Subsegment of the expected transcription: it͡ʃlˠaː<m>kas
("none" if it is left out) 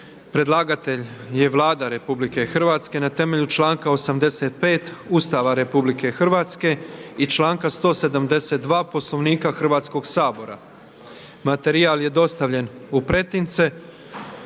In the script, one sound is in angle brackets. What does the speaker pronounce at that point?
ŋ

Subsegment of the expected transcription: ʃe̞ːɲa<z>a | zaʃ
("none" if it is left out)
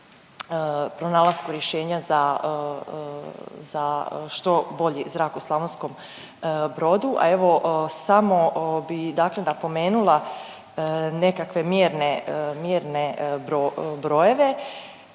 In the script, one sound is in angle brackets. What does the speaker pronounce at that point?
z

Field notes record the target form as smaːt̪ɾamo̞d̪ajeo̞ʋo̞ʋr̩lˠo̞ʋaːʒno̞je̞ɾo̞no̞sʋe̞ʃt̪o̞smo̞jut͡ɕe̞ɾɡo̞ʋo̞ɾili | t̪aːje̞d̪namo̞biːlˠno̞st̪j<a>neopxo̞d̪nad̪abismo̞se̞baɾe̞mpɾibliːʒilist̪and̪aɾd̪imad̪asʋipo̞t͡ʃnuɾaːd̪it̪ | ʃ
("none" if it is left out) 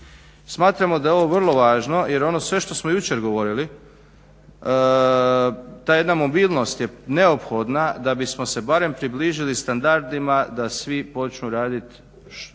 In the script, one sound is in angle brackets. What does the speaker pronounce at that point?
e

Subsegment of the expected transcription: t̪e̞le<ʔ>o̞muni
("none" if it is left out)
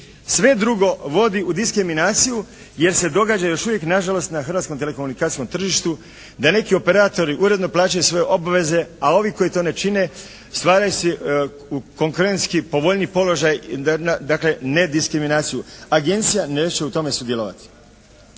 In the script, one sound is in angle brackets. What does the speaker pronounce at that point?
k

